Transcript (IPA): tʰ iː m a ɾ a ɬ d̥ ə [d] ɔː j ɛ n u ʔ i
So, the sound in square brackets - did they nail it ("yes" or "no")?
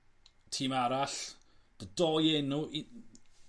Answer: yes